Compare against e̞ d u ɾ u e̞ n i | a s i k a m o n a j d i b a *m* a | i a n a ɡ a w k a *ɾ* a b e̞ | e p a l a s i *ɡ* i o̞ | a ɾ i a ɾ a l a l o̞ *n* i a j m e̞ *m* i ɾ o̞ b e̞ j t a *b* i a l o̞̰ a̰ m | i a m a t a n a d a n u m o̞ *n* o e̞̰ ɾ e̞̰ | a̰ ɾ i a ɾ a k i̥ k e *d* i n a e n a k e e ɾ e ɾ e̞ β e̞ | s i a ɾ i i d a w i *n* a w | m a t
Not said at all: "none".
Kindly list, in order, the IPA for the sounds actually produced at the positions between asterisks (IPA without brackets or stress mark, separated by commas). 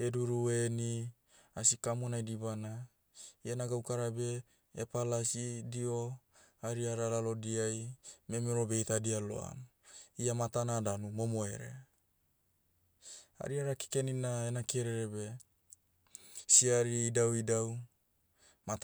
n, ɾ, d, d, m, d, m, n, d